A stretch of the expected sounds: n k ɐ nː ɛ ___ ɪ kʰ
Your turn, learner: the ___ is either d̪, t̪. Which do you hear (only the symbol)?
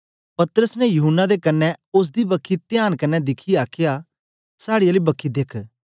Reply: d̪